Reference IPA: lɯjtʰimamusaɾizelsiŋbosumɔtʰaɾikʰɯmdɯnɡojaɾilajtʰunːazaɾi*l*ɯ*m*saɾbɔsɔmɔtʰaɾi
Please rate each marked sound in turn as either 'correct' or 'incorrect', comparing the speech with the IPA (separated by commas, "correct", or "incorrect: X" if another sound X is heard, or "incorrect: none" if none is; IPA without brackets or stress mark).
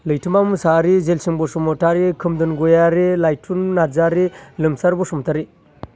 correct, correct